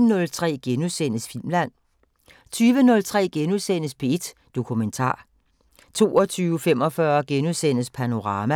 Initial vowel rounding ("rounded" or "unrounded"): rounded